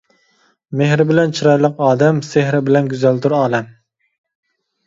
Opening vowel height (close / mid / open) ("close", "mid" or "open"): mid